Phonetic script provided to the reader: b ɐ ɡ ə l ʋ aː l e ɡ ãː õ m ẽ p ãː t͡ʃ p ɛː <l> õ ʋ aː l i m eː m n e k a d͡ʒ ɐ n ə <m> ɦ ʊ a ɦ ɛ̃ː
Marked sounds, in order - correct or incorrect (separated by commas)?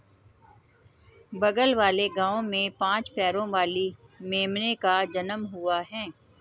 incorrect, correct